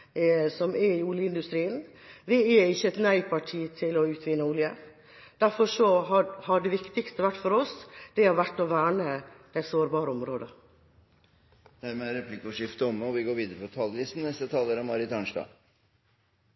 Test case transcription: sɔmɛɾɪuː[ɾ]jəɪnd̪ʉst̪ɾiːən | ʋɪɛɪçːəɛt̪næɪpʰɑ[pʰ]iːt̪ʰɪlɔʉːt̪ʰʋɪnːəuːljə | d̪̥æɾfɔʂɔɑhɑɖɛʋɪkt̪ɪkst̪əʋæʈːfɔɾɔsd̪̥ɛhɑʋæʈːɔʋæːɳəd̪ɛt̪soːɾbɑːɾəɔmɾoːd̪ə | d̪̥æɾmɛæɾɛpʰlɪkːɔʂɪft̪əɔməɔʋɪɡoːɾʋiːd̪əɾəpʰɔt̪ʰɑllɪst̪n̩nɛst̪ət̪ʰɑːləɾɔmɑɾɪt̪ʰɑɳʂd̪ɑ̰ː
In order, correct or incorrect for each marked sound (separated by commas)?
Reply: incorrect, incorrect